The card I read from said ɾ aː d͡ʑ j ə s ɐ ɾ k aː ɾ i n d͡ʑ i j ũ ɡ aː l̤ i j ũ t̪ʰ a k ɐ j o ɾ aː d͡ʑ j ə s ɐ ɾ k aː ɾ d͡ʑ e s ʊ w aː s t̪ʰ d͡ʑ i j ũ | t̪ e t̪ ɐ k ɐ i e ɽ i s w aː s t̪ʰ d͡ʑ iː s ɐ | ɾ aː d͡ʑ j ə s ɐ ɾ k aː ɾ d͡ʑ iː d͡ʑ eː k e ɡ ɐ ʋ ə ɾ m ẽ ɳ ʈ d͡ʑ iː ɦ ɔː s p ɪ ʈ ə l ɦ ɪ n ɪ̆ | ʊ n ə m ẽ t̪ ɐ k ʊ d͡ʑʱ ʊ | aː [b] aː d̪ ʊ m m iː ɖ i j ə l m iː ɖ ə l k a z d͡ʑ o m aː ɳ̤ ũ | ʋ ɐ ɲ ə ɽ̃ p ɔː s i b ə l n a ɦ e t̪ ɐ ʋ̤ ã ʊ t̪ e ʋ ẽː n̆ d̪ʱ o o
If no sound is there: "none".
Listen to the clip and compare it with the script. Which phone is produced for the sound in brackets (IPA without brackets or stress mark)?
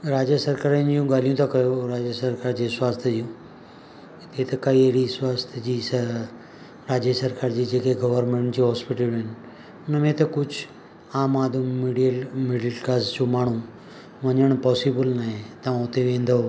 m